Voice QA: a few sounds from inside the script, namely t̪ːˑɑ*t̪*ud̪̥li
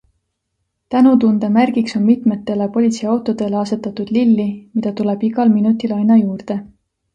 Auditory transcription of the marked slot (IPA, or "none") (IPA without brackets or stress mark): t̪